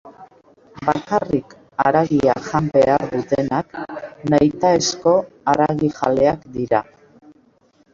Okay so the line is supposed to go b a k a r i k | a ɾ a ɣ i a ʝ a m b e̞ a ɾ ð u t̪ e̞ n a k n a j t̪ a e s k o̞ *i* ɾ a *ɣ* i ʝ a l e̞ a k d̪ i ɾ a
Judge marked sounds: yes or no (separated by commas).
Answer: no, yes